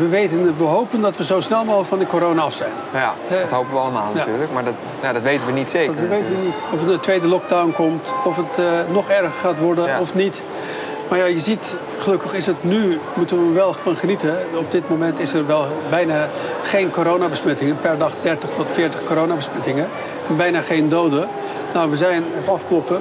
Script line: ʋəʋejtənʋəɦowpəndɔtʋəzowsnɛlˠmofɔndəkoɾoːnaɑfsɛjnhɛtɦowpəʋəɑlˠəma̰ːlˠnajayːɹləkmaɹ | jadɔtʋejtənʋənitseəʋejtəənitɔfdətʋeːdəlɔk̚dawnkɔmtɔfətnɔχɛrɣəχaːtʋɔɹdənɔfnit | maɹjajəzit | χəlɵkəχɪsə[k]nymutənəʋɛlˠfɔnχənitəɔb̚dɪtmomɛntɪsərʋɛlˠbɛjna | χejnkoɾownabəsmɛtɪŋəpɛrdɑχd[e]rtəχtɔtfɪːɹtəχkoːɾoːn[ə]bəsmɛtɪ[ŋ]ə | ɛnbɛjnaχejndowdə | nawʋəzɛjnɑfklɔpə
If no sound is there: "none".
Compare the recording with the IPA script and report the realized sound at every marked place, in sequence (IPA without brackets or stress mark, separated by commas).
t, ɛ, a, ŋ